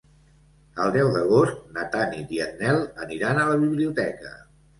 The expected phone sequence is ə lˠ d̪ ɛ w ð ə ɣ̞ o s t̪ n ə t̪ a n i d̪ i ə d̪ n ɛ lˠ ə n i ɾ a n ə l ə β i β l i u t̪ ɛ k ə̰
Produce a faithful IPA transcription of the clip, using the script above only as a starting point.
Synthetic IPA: ə lˠ d̪ ɛ w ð ə ɣ̞ o s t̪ n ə t̪ a n i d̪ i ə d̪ n ɛ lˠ ə n i ɾ a n ə l ə β i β l i u t̪ ɛ k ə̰